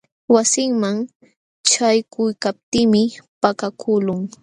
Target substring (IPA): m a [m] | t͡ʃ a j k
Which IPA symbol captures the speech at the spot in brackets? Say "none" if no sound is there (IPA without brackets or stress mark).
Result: ŋ